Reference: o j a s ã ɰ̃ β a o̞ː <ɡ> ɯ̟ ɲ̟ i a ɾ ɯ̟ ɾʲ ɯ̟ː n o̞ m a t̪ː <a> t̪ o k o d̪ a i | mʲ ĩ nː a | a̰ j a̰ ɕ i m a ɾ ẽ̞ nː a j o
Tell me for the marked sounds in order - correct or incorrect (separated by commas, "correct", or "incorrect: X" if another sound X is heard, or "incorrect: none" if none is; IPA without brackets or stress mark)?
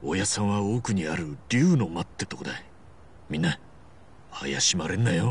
incorrect: k, incorrect: e